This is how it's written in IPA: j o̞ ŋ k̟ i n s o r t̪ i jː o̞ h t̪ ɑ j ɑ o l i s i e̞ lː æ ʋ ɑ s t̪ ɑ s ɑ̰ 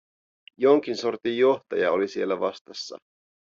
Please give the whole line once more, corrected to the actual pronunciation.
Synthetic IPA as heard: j o̞ ŋ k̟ i n s o r t̪ i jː o̞ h t̪ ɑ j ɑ o l i s i e̞ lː æ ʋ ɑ s t̪ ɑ sː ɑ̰

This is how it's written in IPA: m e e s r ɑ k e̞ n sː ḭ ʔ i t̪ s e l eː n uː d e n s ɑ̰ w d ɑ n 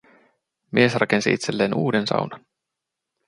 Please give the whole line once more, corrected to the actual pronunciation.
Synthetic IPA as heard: m i e s r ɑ k e̞ n s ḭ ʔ i t̪ s e lː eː n uː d e n s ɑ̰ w n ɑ n

